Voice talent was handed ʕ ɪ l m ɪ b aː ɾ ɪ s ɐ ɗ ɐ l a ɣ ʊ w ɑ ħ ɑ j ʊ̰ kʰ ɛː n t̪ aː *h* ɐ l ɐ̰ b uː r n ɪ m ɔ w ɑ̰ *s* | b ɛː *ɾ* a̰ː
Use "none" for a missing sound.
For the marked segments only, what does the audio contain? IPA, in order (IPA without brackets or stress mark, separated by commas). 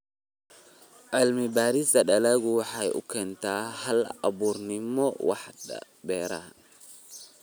h, ħ, ɾ